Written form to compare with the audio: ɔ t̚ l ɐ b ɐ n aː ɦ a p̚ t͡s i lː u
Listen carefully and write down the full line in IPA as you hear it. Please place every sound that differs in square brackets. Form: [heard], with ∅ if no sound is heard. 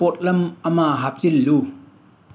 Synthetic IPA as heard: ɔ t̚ l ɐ [m] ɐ [m] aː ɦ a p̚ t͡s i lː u